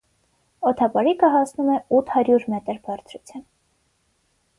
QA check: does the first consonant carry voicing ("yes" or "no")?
no